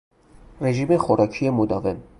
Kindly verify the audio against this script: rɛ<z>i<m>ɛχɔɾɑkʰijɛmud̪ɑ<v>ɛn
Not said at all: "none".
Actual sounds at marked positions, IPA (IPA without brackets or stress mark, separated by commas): ʒ, m, v